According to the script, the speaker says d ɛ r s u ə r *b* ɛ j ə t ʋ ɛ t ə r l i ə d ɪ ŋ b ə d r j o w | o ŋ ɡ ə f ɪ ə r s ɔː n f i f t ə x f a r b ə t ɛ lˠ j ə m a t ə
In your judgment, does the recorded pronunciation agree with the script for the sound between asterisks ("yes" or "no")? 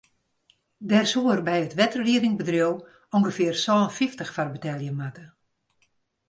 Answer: yes